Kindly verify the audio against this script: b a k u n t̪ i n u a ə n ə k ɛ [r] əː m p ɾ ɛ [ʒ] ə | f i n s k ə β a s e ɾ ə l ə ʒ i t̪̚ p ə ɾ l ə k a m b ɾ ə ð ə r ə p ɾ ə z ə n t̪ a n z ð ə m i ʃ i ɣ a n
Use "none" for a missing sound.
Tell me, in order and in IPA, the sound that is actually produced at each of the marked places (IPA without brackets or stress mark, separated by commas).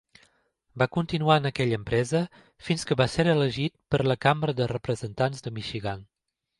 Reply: ʎ, z